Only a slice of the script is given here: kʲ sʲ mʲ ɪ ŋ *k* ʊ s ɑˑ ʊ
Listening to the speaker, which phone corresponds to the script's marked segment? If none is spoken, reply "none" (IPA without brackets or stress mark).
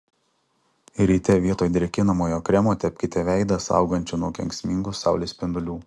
ɡ